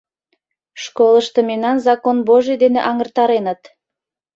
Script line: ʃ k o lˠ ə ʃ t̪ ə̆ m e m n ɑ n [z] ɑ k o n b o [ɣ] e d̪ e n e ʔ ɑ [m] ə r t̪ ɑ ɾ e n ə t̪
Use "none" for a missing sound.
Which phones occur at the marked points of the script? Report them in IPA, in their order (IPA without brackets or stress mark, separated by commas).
z, ʒ, ŋ